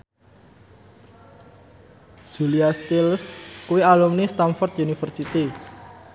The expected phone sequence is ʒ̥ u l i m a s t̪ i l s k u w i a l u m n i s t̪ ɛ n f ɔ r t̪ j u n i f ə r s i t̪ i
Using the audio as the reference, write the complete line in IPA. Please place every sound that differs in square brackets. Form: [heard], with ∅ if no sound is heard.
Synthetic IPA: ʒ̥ u l i [∅] a s t̪ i l s k u w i a l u m n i s t̪ [a] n f ɔ r t̪ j u n i f ə r s i t̪ i